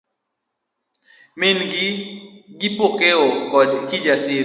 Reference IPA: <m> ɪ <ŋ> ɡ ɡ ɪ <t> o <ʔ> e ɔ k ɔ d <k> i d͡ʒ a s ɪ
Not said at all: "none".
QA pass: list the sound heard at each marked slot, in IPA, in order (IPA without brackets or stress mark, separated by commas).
m, n, p, k, k